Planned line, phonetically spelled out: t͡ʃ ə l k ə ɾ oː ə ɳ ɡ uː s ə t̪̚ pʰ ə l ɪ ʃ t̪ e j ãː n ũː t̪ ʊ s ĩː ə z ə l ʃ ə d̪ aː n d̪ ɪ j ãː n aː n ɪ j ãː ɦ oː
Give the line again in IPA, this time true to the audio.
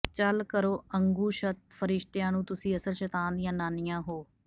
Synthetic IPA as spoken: t͡ʃ ə l k ə ɾ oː ə ŋ ɡ uː ʃ ə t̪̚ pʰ ə ɾ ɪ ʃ t̪ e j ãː n ũː t̪ ʊ s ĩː ə s ə l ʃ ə t̪ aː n d̪ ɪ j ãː n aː n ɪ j ãː ɦ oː